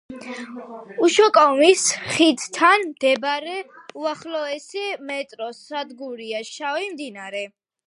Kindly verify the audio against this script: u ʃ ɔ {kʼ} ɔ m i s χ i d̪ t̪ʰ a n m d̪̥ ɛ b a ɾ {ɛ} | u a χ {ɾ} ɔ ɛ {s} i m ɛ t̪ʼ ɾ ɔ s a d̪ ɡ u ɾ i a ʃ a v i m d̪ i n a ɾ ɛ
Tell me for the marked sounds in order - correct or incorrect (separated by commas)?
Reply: correct, correct, incorrect, correct